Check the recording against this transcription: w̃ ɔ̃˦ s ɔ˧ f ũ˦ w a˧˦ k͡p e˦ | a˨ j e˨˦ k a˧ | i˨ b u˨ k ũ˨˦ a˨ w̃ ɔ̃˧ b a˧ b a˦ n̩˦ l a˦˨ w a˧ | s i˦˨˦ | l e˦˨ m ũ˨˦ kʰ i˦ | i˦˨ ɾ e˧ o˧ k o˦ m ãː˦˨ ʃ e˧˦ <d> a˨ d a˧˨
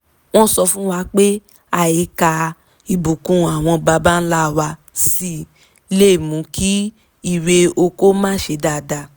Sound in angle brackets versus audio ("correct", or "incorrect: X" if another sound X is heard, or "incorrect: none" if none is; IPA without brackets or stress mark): correct